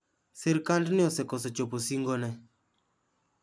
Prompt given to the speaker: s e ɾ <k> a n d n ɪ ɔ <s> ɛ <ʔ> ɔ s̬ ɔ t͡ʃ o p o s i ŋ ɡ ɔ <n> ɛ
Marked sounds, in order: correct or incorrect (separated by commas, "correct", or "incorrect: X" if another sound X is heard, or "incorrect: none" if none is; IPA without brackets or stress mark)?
correct, correct, incorrect: k, correct